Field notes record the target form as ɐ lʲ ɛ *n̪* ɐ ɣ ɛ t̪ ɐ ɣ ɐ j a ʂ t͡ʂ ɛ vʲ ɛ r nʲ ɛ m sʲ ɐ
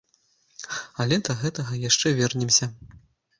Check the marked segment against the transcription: incorrect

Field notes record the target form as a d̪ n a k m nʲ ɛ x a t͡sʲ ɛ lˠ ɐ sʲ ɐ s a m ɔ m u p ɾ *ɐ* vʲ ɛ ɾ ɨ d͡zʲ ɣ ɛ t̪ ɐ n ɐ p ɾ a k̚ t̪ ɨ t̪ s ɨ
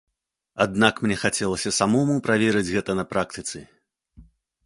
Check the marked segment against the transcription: incorrect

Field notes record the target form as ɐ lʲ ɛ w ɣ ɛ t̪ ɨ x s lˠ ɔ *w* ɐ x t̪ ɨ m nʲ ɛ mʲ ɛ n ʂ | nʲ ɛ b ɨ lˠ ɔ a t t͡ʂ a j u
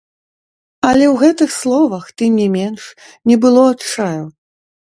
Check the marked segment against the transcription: incorrect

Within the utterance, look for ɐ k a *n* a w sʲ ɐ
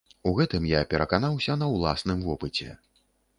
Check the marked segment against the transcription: correct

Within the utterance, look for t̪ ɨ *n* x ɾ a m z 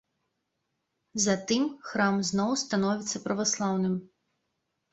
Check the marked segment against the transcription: incorrect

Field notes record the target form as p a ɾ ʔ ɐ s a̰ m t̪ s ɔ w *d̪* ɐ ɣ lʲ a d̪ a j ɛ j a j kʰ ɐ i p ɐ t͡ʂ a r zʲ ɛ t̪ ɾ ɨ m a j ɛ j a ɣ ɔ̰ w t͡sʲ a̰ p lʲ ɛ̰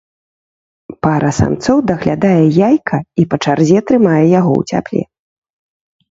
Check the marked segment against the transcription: correct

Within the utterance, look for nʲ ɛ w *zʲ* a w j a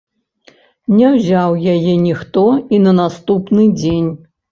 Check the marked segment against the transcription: correct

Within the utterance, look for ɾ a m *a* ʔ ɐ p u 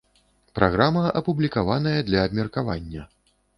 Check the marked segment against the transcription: incorrect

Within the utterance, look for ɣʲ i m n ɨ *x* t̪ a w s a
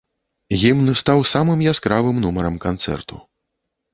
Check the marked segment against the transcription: incorrect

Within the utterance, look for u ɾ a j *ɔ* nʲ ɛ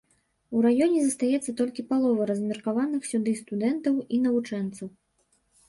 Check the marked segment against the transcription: correct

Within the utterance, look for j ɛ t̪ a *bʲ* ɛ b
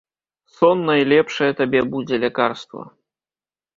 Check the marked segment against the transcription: correct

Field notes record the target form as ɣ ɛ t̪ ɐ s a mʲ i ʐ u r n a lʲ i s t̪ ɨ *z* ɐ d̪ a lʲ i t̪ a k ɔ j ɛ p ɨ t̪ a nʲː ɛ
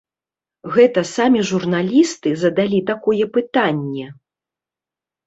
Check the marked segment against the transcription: correct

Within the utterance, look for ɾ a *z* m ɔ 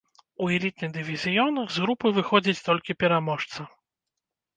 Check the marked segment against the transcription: incorrect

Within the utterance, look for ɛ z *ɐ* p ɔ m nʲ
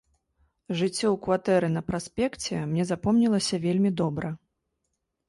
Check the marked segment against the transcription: incorrect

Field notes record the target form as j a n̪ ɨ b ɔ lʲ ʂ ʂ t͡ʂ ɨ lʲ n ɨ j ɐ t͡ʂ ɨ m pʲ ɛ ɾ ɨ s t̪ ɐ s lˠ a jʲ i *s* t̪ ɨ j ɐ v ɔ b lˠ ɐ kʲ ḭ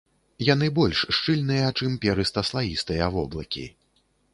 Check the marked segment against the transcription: correct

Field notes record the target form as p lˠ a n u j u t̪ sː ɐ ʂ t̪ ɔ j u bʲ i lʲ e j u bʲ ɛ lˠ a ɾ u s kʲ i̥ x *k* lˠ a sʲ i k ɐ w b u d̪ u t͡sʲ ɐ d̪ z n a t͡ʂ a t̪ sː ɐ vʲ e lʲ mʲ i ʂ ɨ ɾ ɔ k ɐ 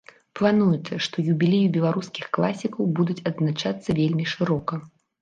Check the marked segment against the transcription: correct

